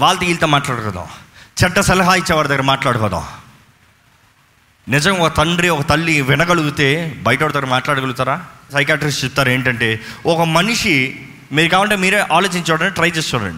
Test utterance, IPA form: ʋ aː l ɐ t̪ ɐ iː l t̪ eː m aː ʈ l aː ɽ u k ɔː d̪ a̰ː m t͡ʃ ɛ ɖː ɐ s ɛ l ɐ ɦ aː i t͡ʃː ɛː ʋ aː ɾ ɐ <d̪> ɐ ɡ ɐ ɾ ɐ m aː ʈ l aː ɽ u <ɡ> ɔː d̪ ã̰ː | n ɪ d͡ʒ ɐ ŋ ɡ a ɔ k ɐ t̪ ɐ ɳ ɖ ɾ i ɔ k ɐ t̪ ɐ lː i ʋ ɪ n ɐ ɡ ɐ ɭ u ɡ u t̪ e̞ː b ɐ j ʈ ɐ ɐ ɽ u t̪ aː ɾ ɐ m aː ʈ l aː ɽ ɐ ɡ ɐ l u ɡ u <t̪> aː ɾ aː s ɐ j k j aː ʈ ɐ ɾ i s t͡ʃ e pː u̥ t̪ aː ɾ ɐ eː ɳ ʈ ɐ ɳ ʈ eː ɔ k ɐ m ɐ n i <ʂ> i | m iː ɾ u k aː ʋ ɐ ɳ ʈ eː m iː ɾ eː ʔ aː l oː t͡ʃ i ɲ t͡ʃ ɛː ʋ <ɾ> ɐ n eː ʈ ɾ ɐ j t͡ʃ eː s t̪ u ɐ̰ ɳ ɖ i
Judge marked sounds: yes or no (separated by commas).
yes, no, yes, yes, no